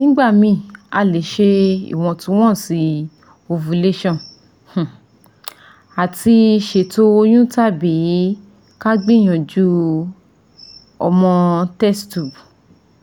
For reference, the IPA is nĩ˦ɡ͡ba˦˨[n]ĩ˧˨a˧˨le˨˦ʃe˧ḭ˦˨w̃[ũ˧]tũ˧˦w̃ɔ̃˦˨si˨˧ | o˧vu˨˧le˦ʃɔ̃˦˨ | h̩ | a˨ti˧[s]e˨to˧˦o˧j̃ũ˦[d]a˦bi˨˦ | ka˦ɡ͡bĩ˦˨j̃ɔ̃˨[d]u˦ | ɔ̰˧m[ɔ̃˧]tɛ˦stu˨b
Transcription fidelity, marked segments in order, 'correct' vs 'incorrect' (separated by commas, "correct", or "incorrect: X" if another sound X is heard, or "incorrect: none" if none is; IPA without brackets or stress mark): incorrect: m, incorrect: ɔ̃˧, incorrect: ʃ, incorrect: t, incorrect: d͡ʒ, correct